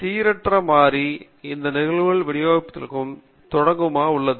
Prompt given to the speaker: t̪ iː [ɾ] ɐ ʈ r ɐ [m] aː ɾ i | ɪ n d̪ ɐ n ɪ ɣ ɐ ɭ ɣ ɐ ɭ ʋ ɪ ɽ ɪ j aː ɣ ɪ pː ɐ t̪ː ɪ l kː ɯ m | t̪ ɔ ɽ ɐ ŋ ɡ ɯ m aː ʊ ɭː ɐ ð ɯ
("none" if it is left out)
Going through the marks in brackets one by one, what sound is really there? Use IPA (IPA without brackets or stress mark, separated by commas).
ɾ, m